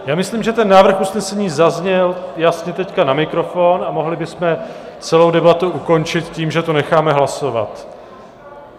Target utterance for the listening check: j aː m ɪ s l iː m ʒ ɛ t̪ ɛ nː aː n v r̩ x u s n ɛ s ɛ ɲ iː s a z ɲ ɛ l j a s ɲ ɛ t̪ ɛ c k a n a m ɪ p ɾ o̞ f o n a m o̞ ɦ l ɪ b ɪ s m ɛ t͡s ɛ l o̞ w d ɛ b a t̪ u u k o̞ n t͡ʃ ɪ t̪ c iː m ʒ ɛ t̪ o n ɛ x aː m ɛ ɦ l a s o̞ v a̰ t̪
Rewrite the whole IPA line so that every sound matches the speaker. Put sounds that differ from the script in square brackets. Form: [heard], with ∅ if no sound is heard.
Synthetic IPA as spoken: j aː m ɪ s l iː m ʒ ɛ t̪ ɛ nː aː [∅] v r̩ x u s n ɛ s ɛ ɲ iː [z] a z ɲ ɛ l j a s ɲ ɛ t̪ ɛ c k a n a m ɪ [k] ɾ o̞ f o n a m o̞ ɦ l ɪ b ɪ s m ɛ t͡s ɛ l o̞ w d ɛ b a t̪ u u k o̞ n t͡ʃ ɪ t̪ c iː m ʒ ɛ t̪ o n ɛ x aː m ɛ ɦ l a s o̞ v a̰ t̪